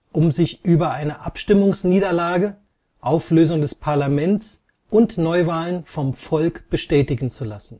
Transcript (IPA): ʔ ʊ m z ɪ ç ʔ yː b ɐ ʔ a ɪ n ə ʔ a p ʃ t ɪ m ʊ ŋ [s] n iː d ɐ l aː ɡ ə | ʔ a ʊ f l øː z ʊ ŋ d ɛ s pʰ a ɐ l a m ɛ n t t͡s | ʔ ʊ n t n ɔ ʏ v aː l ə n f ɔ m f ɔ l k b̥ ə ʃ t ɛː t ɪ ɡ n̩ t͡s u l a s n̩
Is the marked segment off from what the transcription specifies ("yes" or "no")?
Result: no